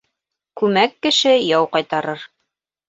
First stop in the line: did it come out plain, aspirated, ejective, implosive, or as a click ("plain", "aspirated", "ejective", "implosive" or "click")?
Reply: plain